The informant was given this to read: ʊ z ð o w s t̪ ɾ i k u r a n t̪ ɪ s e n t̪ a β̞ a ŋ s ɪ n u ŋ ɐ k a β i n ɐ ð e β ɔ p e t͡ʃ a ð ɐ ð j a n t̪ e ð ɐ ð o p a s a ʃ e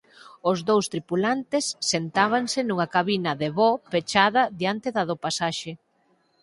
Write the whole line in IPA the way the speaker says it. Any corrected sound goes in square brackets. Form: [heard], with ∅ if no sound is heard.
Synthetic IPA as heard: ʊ z ð o w s t̪ ɾ i [p] u [l] a n t̪ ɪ [sː] e n t̪ a β̞ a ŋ s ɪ n u ŋ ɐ k a β i n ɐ ð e β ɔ p e t͡ʃ a ð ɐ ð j a n t̪ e ð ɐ ð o p a s a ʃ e